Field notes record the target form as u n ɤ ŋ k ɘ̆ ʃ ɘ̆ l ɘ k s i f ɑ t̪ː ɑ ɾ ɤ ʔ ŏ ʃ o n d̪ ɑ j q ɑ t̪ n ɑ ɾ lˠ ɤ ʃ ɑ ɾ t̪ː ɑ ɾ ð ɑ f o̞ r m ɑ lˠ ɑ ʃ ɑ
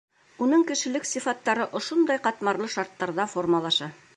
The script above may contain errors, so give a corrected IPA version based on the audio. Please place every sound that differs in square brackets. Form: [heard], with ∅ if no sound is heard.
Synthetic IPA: u n ɤ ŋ k ɘ̆ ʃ ɘ̆ l ɘ k s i f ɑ t̪ː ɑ ɾ ɤ ʔ ŏ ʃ o n d̪ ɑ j q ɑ t̪ [m] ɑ ɾ lˠ ɤ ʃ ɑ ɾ t̪ː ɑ ɾ ð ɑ f o̞ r m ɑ lˠ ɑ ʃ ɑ